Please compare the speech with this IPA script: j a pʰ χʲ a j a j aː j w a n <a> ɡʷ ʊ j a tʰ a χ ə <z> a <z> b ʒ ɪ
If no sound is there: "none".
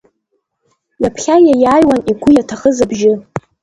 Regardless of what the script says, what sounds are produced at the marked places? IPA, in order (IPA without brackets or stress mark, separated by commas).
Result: i, z, none